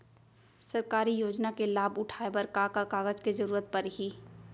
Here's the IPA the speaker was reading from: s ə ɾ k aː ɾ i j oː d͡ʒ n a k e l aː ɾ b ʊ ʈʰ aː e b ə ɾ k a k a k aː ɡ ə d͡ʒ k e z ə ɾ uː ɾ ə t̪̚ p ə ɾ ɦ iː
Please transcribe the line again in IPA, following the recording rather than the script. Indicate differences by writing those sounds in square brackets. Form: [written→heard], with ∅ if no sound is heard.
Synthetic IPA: s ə ɾ k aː ɾ i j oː d͡ʒ n a k e l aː [ɾ→∅] b ʊ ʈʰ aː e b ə ɾ k a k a k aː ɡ ə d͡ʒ k e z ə ɾ uː ɾ ə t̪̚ p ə ɾ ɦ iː